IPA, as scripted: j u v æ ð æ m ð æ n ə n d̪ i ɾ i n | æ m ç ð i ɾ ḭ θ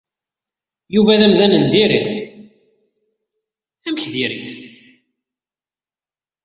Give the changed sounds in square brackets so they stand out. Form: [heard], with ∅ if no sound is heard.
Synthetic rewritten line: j u v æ ð æ m ð æ n ə n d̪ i ɾ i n | æ m ç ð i ɾ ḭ θ